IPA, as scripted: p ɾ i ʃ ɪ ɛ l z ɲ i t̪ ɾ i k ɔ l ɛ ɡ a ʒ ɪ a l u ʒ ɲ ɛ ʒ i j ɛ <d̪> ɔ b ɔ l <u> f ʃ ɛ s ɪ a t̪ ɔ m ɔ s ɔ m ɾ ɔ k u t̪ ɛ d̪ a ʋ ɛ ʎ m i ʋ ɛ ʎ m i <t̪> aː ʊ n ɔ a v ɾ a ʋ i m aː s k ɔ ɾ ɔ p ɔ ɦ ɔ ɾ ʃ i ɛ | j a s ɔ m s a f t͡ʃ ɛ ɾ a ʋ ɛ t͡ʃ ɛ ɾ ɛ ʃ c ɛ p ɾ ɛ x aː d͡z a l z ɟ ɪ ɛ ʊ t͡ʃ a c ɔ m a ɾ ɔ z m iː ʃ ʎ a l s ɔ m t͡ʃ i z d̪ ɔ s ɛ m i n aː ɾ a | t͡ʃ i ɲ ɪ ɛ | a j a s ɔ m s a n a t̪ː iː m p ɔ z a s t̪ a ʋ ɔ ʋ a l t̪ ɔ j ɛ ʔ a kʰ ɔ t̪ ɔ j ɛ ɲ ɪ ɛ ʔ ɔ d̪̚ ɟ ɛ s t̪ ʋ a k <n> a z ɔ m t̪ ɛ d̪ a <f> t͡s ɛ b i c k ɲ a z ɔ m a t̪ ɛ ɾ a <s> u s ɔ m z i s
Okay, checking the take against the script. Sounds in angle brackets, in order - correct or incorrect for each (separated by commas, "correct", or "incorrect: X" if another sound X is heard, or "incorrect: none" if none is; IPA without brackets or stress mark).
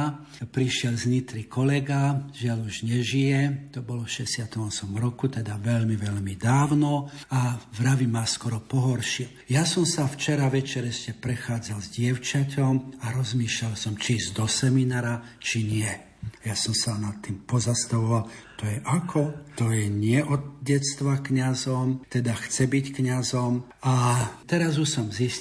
incorrect: t̪, incorrect: ɔ, incorrect: d̪, incorrect: ɲ, incorrect: x, incorrect: z